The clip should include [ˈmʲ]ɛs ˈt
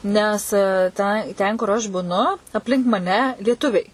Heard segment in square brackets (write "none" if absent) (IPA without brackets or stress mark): nʲ